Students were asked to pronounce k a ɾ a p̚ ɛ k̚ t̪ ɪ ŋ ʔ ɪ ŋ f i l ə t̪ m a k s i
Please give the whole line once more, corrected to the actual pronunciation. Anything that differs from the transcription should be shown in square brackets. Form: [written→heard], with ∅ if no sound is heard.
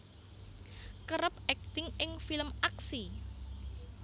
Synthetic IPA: k [a→ə] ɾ [a→ə] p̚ ɛ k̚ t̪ ɪ ŋ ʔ ɪ ŋ f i l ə [t̪→∅] m a k s i